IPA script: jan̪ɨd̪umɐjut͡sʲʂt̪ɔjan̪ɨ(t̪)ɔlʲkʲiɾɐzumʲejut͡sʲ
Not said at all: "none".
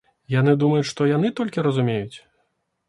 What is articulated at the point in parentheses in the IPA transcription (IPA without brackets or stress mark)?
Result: t̪